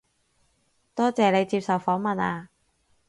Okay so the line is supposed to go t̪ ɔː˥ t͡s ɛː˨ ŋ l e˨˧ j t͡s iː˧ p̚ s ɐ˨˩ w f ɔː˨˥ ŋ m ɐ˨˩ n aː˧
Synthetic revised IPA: t̪ ɔː˥ t͡s ɛː˨ l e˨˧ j t͡s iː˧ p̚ s ɐ˨˩ w f ɔː˨˥ ŋ m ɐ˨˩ n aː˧